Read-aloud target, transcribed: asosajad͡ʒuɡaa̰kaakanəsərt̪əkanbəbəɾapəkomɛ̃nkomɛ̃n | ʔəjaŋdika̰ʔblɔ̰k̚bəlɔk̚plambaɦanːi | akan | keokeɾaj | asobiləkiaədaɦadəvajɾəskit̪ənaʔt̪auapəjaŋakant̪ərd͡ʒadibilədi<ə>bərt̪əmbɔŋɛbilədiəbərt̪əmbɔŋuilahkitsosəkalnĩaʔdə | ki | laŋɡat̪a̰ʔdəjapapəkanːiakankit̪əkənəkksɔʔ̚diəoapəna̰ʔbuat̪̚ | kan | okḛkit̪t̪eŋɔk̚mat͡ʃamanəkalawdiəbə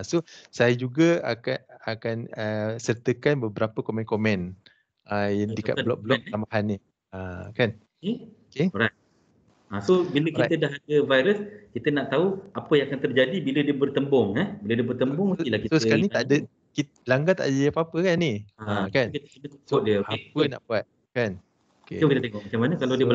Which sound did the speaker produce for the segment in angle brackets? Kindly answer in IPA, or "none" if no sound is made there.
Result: ə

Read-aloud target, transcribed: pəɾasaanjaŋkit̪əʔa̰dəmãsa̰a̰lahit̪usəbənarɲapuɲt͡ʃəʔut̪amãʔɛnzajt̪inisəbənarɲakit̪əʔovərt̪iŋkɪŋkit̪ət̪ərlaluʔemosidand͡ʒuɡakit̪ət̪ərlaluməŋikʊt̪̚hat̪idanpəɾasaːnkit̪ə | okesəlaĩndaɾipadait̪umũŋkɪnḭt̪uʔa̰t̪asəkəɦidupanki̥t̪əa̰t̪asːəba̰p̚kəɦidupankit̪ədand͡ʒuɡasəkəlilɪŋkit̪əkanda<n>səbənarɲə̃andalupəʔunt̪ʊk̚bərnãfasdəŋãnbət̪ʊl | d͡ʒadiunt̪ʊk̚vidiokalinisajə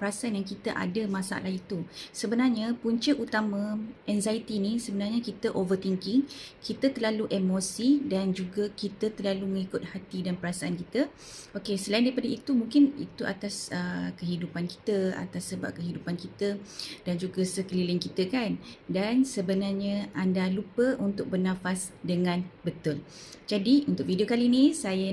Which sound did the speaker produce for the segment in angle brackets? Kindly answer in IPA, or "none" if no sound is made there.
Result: n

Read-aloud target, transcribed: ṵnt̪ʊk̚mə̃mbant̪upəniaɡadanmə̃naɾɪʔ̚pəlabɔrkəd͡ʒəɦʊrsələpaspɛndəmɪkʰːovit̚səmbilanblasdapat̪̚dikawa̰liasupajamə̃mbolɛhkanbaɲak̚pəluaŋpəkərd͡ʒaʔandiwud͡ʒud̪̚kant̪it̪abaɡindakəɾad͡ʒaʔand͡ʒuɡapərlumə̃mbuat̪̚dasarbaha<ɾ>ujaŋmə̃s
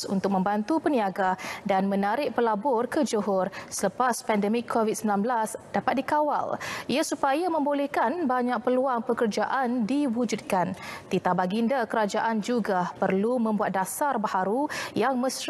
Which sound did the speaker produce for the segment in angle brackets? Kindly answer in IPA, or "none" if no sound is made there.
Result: ɾ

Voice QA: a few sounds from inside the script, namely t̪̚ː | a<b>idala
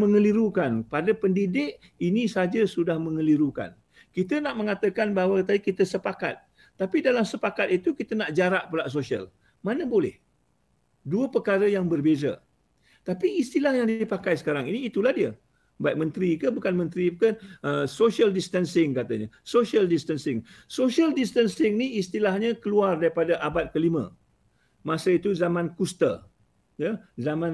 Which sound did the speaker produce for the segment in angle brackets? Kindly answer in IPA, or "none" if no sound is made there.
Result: p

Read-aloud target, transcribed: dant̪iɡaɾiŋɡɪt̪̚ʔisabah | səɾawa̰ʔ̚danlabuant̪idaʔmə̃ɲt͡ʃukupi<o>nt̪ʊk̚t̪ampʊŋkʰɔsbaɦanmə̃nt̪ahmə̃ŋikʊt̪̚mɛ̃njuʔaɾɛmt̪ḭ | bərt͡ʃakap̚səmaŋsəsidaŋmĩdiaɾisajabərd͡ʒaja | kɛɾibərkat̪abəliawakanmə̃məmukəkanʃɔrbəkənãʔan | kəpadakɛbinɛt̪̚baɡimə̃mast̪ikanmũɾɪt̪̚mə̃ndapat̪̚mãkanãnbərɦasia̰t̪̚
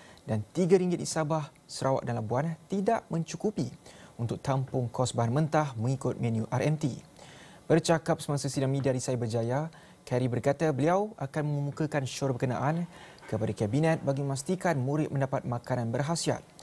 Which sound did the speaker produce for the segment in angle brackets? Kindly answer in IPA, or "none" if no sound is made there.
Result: u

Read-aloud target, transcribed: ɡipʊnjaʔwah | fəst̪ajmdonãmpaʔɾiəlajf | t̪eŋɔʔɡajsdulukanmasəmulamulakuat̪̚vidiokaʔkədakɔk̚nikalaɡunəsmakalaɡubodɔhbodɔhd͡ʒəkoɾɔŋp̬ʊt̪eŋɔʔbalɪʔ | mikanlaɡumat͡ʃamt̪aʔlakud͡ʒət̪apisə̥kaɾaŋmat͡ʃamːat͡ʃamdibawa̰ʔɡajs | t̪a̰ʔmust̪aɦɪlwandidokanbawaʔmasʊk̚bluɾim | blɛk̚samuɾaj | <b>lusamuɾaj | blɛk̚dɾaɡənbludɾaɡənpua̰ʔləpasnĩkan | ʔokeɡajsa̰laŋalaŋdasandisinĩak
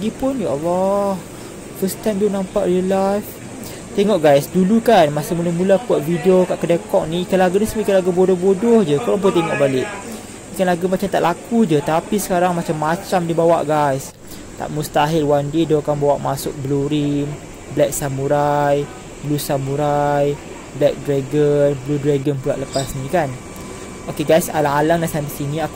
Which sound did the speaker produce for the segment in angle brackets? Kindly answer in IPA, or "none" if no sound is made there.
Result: b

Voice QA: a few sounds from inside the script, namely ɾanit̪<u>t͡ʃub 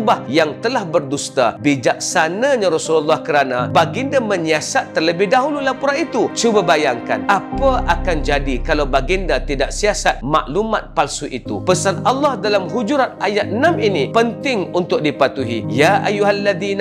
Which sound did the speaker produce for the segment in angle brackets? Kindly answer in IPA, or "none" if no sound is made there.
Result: u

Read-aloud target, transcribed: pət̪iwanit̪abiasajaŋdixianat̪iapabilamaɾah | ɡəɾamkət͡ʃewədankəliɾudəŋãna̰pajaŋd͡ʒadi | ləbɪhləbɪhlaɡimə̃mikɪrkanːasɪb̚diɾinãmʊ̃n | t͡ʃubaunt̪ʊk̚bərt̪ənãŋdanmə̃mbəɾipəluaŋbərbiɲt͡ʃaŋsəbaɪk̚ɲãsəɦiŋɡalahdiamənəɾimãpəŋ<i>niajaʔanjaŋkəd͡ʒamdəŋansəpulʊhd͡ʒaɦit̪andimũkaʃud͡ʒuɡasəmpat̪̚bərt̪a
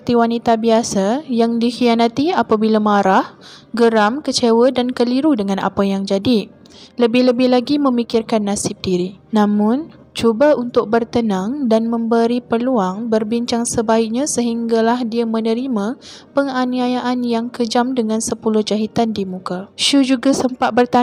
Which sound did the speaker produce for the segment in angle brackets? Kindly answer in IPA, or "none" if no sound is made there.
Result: a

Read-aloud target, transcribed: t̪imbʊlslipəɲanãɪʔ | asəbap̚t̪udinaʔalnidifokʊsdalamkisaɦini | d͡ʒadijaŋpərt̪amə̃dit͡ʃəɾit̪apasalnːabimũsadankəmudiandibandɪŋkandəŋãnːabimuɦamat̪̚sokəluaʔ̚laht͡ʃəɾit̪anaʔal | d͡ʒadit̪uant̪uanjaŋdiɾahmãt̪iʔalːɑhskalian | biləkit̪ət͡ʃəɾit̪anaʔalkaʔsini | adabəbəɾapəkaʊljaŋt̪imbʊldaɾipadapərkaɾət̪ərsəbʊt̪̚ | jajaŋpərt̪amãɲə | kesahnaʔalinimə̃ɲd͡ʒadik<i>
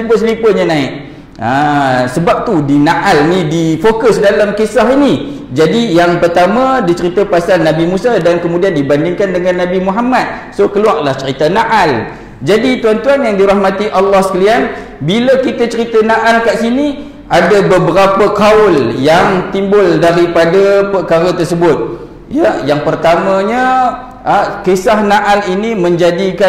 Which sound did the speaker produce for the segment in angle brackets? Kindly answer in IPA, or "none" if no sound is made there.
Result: a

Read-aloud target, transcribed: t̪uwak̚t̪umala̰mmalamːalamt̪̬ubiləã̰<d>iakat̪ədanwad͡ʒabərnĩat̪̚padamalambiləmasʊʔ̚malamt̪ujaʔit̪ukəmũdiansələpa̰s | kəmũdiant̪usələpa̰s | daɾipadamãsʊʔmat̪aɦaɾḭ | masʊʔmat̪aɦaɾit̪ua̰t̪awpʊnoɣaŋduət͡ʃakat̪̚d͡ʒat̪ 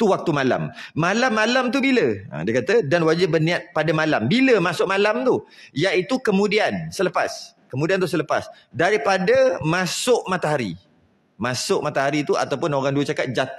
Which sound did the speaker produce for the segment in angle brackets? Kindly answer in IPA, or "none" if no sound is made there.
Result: d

